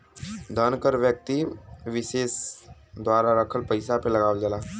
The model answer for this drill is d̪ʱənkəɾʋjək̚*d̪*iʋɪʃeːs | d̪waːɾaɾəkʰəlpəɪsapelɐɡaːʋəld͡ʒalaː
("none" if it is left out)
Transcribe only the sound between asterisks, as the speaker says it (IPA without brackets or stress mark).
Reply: t̪